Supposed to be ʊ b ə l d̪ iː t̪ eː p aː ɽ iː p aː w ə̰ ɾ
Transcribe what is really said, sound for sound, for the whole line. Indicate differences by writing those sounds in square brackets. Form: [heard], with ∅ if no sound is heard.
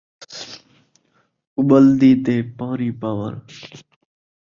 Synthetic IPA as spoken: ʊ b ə l d̪ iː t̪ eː p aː [ɾ] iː p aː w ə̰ ɾ